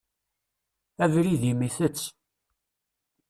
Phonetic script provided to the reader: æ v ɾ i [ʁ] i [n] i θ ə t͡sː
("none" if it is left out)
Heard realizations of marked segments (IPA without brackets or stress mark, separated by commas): ð, m